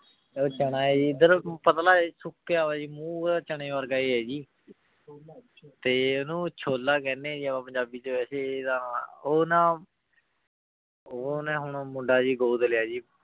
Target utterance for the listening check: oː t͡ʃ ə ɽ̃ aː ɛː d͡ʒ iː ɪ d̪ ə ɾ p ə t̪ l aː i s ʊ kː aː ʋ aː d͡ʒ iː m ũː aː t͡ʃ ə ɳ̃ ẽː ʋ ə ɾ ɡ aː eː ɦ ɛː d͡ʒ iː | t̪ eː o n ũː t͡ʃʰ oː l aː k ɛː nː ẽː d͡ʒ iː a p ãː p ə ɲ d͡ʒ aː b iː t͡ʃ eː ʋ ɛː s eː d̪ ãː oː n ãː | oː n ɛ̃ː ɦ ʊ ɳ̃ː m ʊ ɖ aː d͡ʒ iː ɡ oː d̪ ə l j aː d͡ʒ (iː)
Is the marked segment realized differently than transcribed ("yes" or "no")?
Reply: no